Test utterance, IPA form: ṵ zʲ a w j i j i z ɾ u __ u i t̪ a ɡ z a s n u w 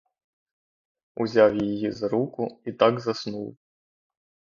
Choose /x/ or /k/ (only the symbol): k